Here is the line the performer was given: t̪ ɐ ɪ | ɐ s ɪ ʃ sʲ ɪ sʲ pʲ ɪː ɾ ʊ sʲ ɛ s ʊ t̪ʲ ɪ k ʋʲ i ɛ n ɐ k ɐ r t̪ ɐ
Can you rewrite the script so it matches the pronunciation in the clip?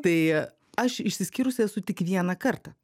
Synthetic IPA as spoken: t̪ ɐ ɪ | ɐ ʃ ɪ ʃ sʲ ɪ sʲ kʲ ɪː ɾ ʊ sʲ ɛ s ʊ t̪ʲ ɪ k ʋʲ i ɛ n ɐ k ɐ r t̪ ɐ